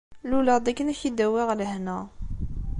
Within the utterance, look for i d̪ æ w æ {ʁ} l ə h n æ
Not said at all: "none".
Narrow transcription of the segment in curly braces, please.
ʁ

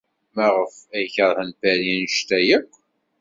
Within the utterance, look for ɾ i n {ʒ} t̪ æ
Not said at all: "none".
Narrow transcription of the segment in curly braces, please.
ʃ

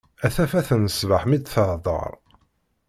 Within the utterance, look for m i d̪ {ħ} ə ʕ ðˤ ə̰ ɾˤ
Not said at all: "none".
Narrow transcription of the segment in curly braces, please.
θ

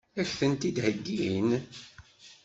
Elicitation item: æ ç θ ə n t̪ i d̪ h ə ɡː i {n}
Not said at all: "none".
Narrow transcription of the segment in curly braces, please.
n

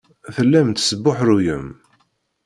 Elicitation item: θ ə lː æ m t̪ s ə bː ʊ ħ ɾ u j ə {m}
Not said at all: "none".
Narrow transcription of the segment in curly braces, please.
m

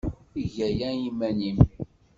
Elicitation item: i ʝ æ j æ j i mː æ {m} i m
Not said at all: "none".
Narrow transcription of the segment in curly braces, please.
n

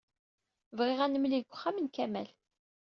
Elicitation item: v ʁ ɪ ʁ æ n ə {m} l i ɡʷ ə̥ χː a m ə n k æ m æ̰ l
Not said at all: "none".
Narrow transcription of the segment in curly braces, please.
m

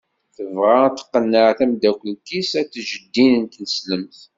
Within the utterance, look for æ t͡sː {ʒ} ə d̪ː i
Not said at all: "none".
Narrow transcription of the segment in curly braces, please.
ʒ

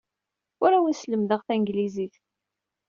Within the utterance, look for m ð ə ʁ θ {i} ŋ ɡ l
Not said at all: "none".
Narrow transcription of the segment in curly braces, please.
æ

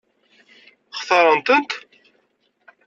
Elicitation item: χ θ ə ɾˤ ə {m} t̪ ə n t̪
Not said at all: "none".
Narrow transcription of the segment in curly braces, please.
n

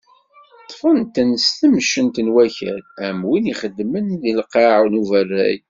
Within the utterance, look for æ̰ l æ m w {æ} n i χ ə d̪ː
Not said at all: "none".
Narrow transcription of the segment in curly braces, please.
i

